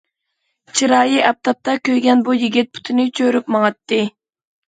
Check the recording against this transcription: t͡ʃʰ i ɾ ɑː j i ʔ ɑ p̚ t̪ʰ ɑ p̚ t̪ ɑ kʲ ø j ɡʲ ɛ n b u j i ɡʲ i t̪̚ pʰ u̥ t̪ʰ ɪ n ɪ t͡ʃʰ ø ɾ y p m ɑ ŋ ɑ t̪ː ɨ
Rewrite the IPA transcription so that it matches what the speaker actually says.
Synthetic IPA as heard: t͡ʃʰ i ɾ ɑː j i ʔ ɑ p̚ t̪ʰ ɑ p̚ t̪ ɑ kʲ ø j ɡʲ ɛ n b u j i ɡʲ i t̪̚ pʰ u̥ t̪ʰ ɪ n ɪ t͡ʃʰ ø ɾ y p m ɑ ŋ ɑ t̪ː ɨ